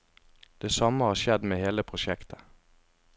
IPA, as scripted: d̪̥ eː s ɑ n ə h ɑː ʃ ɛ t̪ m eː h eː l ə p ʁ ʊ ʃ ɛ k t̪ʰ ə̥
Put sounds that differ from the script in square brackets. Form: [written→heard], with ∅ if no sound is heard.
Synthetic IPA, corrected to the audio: d̪̥ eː s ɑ [n→m] ə h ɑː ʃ ɛ [t̪→d̪] m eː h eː l ə [p→pʰ] ʁ ʊ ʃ ɛ k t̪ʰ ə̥